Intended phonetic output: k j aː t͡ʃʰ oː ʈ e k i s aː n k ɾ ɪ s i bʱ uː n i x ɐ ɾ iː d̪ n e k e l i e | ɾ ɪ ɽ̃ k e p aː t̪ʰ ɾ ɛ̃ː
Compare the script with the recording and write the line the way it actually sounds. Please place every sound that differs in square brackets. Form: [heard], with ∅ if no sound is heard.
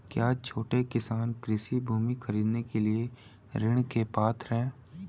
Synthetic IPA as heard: k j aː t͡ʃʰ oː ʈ e k [ɪ] s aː n k ɾ ɪ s i bʱ uː [m] i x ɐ ɾ iː d̪ n e k e l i e | ɾ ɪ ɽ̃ k e p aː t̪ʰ ɾ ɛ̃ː